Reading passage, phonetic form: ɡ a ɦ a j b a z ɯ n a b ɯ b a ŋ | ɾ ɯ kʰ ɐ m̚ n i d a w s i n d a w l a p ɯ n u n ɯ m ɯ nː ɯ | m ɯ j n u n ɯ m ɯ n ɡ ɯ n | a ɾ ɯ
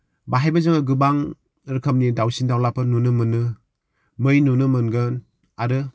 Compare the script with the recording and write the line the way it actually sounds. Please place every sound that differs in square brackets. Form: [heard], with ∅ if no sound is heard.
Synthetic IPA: [b] a ɦ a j b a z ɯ [ŋ] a [ɡ] ɯ b a ŋ | ɾ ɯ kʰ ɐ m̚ n i d a w s i n d a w l a p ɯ n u n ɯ m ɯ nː ɯ | m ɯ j n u n ɯ m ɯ n ɡ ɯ n | a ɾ ɯ